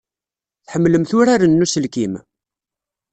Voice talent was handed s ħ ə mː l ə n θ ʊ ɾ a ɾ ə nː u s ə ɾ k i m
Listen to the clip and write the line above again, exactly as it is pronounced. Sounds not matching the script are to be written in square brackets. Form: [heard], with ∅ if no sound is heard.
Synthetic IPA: [θ] ħ ə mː l ə [m] θ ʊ ɾ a ɾ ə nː u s ə [l] k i m

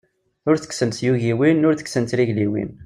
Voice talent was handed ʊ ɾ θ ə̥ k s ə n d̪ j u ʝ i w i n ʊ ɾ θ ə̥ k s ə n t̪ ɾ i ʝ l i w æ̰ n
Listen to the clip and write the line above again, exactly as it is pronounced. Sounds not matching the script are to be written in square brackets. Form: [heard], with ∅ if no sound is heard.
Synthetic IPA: ʊ ɾ θ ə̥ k s ə n [t̪] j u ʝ i w i n ʊ ɾ θ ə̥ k s ə n t̪ ɾ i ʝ l i w [ḭ] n

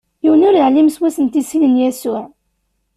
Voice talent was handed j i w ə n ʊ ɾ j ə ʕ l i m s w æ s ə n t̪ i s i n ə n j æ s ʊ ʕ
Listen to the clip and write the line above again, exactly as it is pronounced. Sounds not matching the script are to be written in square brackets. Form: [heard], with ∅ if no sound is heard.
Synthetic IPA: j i w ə n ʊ ɾ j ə ʕ l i m s w æ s ə n t̪ i s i n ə n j æ s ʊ ʕ

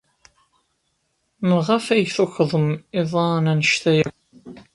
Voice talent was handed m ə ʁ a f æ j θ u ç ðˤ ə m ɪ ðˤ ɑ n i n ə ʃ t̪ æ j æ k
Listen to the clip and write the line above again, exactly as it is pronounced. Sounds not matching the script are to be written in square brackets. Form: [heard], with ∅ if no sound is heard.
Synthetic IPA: m ə ʁ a f æ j θ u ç ðˤ ə m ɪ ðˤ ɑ n [æ] n ə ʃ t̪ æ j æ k

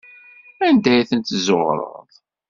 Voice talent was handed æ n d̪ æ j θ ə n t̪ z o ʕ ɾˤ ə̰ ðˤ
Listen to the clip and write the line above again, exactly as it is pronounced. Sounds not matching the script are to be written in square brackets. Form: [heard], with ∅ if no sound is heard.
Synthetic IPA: æ n d̪ æ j θ ə n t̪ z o [ʁ] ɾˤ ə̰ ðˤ

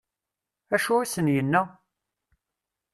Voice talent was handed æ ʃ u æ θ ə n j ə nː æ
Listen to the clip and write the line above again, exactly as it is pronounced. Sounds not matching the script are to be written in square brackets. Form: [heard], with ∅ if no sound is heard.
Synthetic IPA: æ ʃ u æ [s] ə n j ə nː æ

